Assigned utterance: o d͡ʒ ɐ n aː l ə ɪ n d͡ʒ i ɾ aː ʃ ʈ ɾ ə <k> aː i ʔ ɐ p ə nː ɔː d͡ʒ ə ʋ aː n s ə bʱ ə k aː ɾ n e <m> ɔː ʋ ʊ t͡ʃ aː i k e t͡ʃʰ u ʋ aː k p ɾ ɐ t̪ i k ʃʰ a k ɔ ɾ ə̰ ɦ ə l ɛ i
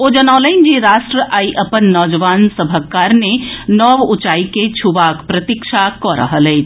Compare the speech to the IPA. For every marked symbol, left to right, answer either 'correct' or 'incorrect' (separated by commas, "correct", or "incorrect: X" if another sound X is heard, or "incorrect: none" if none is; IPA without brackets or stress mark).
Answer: incorrect: ʔ, incorrect: n